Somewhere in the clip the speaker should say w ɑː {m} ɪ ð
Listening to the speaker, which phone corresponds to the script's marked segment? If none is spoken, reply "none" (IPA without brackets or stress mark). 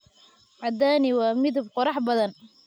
m